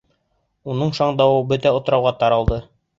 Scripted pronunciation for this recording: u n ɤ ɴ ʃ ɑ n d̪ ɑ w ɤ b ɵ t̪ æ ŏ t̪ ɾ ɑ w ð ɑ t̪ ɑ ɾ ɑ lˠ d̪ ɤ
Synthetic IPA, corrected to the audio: u n ɤ ɴ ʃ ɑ ɴ d̪ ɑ w ɤ b ɵ t̪ æ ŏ t̪ ɾ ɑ w ʁ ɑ t̪ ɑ ɾ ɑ lˠ d̪ ɤ